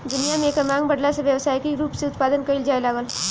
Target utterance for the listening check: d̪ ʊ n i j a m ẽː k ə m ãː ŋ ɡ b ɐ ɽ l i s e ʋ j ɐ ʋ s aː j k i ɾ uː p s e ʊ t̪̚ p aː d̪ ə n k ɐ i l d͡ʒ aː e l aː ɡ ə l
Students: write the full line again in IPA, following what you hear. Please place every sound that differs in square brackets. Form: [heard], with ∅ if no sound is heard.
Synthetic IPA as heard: d̪ ʊ n i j a m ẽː k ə m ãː ŋ ɡ b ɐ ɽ l [a] s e ʋ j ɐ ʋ s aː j k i ɾ uː p s e ʊ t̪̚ p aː d̪ ə n k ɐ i l d͡ʒ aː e l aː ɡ ə l